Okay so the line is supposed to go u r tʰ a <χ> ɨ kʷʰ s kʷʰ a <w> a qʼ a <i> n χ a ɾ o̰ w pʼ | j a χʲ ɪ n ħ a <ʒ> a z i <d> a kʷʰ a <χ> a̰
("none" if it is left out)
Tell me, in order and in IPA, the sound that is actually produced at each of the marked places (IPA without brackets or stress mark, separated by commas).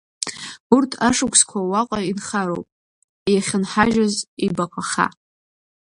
ʂ, w, i, ʒ, b, χ